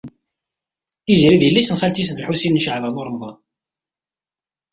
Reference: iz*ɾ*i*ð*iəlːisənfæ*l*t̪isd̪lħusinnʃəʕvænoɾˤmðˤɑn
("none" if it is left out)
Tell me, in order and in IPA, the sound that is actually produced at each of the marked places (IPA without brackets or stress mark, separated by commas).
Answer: ɾ, ð, l